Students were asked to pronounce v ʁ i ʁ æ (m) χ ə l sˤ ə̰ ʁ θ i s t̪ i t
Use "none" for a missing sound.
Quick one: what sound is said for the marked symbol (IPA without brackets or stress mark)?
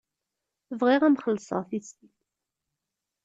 m